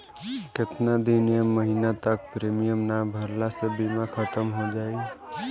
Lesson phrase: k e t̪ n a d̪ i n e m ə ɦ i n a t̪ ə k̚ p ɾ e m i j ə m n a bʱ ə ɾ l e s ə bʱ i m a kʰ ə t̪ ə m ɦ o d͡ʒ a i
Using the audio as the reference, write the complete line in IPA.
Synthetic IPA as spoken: k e t̪ n a d̪ i n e m ə ɦ i n a t̪ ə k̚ p ɾ e m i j ə m n a bʱ ə ɾ l a s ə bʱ i m a kʰ ə t̪ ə m ɦ o d͡ʒ a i